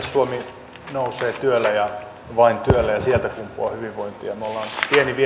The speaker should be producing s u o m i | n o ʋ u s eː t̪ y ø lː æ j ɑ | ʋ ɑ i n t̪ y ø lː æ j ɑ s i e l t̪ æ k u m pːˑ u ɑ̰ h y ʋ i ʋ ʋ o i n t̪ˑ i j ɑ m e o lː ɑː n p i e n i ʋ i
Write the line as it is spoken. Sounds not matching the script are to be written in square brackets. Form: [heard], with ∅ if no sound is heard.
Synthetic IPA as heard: s u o m i | n o [∅] u s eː t̪ y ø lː æ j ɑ | ʋ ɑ i n t̪ y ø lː æ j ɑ s i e l t̪ æ k u m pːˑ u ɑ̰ h y ʋ i ʋ ʋ o i n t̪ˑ i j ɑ m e o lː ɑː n p i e n i ʋ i